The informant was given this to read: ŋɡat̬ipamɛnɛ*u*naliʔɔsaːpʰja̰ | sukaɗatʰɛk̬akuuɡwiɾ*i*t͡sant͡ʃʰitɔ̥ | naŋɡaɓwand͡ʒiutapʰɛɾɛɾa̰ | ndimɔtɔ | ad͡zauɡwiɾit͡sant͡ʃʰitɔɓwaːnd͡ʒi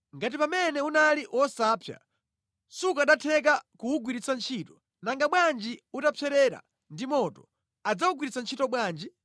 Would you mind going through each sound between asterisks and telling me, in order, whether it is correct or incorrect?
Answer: correct, correct

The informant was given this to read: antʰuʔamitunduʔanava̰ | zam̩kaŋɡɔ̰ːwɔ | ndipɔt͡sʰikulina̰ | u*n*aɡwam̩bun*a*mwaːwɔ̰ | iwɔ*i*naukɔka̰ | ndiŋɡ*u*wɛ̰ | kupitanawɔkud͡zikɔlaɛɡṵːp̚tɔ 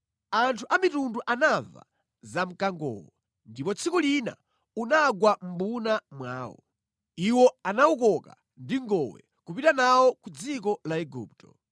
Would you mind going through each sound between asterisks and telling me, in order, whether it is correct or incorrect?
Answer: correct, correct, incorrect, incorrect

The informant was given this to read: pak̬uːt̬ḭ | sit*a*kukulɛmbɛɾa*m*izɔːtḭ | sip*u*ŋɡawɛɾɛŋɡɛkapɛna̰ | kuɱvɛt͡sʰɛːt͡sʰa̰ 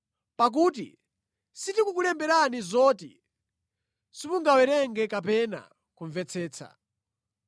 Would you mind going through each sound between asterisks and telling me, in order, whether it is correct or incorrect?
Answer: incorrect, incorrect, correct

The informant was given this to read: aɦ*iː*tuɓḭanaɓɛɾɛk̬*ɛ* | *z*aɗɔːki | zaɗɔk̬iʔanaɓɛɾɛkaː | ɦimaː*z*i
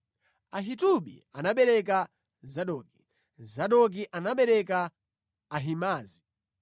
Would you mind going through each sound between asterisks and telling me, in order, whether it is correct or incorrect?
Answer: incorrect, incorrect, correct, correct

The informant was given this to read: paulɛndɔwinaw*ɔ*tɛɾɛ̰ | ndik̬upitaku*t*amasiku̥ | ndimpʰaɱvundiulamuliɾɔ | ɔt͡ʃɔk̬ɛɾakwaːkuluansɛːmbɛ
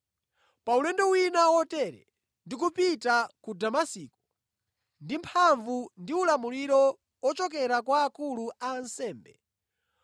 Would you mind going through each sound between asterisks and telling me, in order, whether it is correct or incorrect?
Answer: correct, incorrect

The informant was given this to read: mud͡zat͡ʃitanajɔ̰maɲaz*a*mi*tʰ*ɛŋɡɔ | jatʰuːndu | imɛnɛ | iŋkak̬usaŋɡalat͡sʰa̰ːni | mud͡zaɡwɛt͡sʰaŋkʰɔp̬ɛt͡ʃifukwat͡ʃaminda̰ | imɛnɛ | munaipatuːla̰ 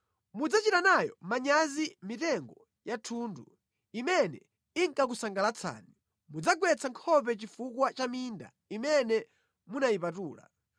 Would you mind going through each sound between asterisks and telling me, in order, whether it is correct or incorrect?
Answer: incorrect, incorrect

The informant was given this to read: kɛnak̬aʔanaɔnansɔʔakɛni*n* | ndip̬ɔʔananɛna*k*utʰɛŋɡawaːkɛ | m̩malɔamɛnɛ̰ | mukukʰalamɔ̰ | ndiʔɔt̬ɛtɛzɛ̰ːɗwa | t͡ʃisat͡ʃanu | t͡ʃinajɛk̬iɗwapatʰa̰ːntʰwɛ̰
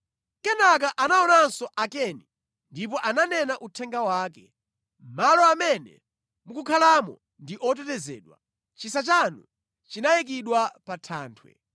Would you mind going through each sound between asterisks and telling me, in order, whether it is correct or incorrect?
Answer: incorrect, incorrect

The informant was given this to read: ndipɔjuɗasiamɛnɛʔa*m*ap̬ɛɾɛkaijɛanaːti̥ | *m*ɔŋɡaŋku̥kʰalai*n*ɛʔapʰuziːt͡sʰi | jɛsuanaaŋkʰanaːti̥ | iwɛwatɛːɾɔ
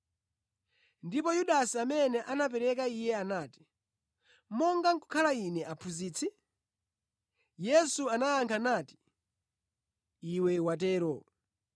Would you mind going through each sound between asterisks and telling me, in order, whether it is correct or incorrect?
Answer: incorrect, correct, correct

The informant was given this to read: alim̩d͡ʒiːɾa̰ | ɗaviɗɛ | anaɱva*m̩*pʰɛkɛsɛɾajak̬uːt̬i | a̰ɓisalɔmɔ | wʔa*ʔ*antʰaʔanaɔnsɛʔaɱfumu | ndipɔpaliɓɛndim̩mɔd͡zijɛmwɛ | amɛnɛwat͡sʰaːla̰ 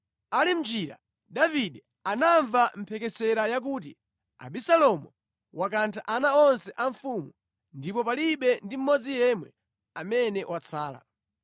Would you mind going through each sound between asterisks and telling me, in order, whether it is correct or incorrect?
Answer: correct, incorrect

